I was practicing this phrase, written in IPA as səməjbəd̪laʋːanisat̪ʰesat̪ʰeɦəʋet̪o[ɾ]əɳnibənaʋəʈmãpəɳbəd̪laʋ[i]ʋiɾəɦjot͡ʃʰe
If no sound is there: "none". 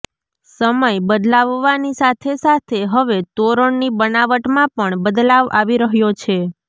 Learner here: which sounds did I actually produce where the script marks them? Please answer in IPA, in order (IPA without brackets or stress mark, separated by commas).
ɾ, a